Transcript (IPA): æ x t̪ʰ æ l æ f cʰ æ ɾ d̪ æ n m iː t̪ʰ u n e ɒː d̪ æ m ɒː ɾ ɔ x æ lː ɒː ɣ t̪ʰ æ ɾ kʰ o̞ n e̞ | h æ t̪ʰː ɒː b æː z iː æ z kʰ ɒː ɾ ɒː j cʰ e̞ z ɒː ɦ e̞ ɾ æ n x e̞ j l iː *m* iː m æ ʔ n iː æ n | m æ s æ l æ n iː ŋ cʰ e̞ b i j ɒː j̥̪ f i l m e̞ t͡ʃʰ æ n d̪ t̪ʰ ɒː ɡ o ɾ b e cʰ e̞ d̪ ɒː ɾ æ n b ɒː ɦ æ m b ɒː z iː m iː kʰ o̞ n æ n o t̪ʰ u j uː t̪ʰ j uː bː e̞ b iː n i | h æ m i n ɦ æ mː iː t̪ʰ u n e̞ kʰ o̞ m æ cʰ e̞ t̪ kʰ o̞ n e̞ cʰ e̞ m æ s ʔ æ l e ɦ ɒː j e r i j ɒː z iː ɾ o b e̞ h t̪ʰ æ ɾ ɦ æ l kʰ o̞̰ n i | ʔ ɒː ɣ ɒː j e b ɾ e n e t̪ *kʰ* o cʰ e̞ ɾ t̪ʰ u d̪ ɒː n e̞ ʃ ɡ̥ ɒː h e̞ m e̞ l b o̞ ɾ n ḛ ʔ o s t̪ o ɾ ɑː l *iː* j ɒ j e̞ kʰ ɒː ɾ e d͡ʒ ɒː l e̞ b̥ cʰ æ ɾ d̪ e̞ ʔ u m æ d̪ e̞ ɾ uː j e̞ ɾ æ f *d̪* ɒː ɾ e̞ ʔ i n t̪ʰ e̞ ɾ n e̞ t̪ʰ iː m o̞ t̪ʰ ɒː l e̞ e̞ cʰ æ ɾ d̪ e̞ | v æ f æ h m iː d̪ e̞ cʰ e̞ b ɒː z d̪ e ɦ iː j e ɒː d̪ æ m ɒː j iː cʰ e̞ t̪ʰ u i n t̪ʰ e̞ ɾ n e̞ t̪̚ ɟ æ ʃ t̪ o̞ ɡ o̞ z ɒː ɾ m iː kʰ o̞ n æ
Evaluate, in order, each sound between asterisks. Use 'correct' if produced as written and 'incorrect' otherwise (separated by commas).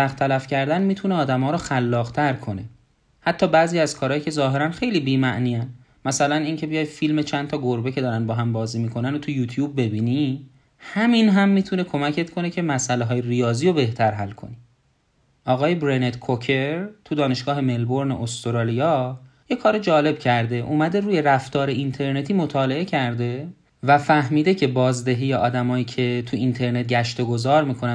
incorrect, correct, incorrect, incorrect